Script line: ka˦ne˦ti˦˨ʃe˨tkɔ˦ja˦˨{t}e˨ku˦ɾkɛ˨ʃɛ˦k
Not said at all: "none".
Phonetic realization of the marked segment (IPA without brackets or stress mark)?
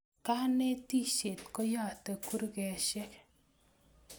t